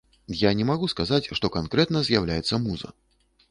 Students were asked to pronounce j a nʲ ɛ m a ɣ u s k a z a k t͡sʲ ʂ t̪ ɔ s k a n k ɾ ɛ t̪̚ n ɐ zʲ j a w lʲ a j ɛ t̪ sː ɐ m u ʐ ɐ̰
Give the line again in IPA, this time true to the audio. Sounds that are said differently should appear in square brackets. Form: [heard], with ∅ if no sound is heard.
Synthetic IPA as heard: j a nʲ ɛ m a ɣ u s k a z a [∅] t͡sʲ ʂ t̪ ɔ [∅] k a n k ɾ ɛ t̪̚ n ɐ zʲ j a w lʲ a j ɛ t̪ sː ɐ m u [z] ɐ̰